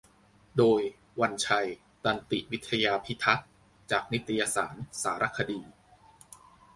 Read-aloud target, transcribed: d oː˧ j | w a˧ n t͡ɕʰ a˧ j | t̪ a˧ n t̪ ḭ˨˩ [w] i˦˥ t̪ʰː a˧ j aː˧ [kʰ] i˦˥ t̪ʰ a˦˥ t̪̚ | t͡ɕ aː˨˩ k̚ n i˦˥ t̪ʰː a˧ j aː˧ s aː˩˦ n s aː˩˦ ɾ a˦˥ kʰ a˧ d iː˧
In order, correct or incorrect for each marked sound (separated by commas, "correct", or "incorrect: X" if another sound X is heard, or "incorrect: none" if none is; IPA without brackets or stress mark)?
correct, incorrect: pʰ